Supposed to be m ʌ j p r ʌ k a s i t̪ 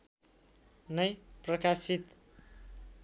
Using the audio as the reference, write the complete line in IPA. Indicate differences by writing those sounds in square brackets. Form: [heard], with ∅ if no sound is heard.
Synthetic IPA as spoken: [n] ʌ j p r ʌ k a s i t̪

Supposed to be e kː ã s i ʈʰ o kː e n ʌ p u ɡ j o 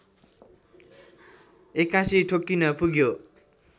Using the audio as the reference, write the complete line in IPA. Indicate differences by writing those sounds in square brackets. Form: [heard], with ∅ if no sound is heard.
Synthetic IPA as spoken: e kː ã s i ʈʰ o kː [i] n ʌ p u ɡ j o

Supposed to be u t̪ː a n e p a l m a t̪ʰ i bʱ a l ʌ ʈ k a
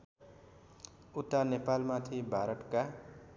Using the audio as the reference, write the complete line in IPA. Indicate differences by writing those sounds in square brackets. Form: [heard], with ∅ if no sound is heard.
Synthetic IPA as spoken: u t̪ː a n e p a l m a t̪ʰ i bʱ a [ɾ] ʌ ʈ k a

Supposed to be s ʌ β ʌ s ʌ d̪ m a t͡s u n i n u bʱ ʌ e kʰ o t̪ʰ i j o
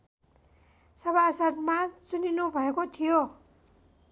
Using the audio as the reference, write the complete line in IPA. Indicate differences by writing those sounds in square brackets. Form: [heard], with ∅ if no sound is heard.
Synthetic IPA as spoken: s ʌ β [a] s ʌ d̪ m a t͡s u n i n u bʱ ʌ e [k] o t̪ʰ i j o

